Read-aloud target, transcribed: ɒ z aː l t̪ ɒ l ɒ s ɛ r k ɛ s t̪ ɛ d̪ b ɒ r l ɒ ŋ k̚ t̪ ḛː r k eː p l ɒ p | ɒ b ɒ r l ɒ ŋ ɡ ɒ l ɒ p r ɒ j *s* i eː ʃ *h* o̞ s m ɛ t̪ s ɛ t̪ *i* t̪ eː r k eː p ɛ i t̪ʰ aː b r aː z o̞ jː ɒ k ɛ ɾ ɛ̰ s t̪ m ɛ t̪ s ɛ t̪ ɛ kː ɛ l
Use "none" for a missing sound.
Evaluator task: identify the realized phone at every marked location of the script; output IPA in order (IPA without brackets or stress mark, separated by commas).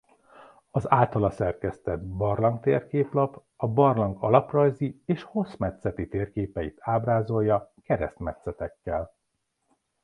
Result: z, h, i